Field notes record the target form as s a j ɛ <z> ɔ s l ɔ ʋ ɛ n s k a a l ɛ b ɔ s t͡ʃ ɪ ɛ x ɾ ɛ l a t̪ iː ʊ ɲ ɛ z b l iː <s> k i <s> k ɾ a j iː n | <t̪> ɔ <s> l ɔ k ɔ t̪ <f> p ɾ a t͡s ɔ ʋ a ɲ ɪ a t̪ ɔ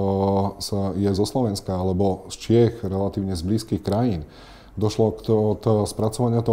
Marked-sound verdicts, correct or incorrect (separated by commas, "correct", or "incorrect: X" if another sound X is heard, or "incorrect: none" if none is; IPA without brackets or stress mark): correct, correct, incorrect: x, incorrect: d̪, incorrect: ʃ, incorrect: s